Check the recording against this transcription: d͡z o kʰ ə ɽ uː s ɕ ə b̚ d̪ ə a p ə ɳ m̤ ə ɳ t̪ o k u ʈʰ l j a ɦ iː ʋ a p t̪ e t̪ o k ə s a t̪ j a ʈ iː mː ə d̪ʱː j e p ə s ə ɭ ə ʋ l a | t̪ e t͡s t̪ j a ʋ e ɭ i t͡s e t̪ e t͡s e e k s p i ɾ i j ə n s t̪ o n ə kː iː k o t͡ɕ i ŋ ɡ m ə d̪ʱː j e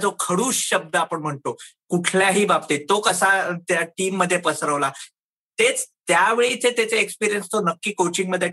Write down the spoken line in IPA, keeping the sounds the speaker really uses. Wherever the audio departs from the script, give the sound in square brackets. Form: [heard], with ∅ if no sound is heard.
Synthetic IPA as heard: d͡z o kʰ ə ɽ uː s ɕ ə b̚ d̪ ə a p ə ɳ m̤ ə ɳ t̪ o k u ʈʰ l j a ɦ iː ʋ a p t̪ e t̪ o k ə s a t̪ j a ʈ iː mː ə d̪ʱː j e p ə s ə [ɾ] ə ʋ l a | t̪ e t͡s t̪ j a ʋ e ɭ i t͡s e t̪ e t͡s e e k s p i ɾ i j ə n s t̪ o n ə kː iː k o t͡ɕ i ŋ ɡ m ə d̪ʱː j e